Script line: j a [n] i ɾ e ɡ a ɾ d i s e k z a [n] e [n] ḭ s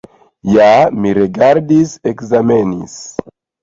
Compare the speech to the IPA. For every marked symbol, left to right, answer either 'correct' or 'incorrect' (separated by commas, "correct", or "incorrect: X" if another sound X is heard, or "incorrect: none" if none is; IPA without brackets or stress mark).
incorrect: m, incorrect: m, correct